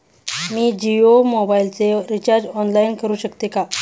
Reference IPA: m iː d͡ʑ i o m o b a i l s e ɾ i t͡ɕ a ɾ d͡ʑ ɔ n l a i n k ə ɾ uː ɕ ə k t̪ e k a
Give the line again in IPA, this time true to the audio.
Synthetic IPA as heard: m iː d͡ʑ i o m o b a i l t͡s e ɾ i t͡ɕ a ɾ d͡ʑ ɔ n l a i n k ə ɾ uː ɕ ə k t̪ e k a